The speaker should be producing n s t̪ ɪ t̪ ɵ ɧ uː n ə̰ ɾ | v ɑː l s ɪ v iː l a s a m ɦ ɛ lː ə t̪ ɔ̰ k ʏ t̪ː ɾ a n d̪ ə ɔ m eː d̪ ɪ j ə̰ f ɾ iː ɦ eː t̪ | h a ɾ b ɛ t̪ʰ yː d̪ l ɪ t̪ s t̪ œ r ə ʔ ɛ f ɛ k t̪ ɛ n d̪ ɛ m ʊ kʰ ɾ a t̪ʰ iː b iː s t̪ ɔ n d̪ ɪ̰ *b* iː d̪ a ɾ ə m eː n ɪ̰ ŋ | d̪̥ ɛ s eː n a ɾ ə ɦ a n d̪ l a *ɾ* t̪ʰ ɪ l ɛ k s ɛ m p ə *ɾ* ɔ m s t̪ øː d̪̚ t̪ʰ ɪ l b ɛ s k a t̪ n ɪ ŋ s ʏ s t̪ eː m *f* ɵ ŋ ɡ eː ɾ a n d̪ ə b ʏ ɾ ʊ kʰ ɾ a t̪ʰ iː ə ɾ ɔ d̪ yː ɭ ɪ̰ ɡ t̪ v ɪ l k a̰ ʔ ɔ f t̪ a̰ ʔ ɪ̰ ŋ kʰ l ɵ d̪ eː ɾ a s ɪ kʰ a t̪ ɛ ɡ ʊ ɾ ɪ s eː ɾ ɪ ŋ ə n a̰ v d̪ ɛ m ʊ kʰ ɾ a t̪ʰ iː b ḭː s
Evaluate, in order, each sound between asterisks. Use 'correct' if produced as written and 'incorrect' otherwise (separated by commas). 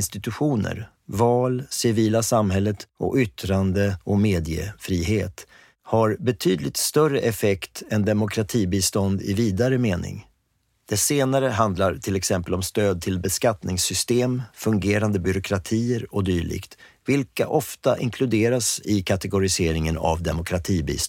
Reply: incorrect, correct, incorrect, correct